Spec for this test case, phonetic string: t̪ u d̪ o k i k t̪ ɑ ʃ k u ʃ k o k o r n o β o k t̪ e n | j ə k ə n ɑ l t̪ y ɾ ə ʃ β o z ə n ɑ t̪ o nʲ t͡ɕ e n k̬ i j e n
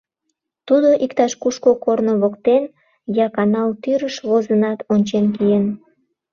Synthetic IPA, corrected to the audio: t̪ u d̪ o ʔ i k t̪ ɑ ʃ k u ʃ k o k o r n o β o k t̪ e n | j ɑ k ɑ n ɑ l t̪ y ɾ ə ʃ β o z ə n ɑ t̪ o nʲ t͡ɕ e n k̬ i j e n